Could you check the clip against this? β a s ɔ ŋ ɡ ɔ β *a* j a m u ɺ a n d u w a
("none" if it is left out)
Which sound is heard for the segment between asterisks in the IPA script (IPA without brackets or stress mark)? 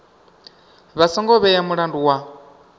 ɛ